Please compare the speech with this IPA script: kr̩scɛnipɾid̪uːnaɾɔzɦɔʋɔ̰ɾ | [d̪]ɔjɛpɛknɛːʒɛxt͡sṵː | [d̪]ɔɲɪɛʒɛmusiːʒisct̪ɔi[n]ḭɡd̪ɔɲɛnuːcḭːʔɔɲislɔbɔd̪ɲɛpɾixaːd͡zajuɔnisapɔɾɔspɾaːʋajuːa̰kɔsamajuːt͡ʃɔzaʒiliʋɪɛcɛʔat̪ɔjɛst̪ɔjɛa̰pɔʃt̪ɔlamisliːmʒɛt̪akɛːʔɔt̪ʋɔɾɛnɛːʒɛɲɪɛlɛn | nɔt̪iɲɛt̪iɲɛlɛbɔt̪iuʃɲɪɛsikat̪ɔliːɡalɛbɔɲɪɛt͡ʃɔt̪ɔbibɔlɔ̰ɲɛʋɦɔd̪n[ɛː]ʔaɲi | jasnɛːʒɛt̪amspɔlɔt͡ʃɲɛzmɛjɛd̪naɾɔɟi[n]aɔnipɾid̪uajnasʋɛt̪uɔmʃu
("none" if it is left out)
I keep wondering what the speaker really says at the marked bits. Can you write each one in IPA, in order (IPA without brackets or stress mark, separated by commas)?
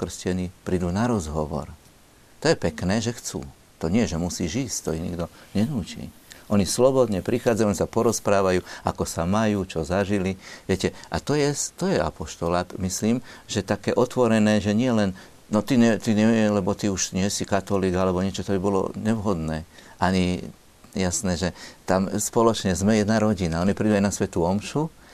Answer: t̪, t̪, ɲ, ɛː, n